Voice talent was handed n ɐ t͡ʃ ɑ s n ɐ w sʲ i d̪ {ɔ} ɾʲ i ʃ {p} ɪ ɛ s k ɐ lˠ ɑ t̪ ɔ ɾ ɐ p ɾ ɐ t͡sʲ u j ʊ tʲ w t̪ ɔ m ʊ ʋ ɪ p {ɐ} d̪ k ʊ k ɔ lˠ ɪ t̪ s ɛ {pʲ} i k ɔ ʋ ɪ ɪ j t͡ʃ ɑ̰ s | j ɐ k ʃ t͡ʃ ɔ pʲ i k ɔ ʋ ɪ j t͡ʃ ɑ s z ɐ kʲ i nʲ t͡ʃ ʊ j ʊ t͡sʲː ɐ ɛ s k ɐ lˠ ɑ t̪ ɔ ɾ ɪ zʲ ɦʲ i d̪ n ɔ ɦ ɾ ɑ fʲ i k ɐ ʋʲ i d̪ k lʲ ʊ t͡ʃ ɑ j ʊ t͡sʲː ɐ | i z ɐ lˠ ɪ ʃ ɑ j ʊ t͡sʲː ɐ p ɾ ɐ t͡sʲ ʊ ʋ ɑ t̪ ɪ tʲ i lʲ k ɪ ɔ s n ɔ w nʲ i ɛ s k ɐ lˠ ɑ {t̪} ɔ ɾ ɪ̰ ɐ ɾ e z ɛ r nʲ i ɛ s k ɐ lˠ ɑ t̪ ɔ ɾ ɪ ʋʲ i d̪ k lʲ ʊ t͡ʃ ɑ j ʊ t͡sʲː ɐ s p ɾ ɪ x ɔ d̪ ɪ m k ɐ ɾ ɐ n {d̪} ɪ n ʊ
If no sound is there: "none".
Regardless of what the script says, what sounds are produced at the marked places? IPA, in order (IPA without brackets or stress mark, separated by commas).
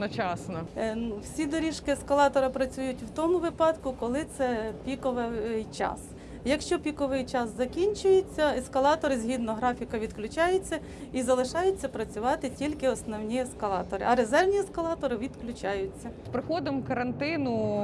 ɔ, k, ɑ, pʲ, t̪, t̪